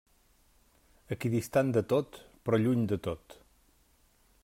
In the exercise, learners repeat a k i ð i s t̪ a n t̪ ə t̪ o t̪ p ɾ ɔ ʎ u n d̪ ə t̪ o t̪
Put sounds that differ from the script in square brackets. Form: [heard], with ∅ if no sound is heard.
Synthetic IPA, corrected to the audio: [ə] k i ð i s t̪ a n [d̪] ə t̪ o t̪ p ɾ ɔ ʎ u [ɲ] d̪ ə t̪ o t̪